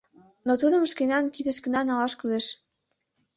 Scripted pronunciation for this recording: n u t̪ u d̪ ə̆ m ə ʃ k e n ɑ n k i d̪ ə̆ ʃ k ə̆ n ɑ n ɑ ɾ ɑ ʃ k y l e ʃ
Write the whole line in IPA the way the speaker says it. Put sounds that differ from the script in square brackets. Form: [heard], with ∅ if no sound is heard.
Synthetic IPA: n [o] t̪ u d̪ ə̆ m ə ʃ k e n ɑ n k i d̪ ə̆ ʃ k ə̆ n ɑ n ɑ [l] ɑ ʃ k y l e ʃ

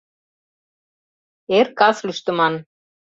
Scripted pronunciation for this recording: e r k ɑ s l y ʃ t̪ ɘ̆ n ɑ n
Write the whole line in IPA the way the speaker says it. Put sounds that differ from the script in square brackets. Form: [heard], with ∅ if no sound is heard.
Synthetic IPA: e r k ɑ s l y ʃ t̪ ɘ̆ [m] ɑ n

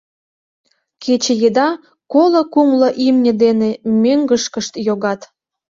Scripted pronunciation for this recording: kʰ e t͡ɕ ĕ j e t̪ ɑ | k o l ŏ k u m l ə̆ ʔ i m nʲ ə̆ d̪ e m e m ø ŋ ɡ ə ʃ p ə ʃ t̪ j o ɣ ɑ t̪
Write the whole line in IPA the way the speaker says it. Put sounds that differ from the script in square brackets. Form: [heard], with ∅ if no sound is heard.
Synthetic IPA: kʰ e t͡ɕ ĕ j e [d̪] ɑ | k o l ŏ k u m l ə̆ ʔ i m nʲ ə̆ d̪ e [n] e m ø ŋ ɡ ə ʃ [k] ə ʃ t̪ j o ɣ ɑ t̪

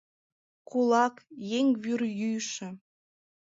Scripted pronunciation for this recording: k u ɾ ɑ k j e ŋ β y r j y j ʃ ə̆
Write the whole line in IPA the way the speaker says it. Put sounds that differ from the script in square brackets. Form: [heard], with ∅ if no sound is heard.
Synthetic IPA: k u [l] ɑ k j e ŋ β y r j y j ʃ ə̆

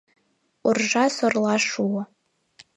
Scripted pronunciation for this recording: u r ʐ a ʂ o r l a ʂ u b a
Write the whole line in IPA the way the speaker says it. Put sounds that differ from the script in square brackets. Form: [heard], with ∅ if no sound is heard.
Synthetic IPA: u r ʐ a [s] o r l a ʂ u [w] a

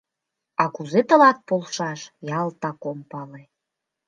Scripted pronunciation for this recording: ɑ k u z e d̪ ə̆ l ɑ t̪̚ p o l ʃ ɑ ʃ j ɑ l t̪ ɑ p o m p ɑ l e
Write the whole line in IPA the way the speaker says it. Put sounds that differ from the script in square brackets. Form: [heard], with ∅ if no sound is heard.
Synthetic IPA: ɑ k u z e [t̪] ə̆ l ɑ t̪̚ p o l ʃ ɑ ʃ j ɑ l t̪ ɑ [k] o m p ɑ l e

